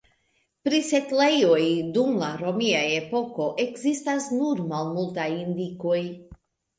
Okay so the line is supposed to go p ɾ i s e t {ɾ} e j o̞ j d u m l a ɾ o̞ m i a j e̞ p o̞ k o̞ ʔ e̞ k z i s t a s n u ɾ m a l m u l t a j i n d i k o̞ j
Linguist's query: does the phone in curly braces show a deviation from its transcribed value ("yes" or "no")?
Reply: yes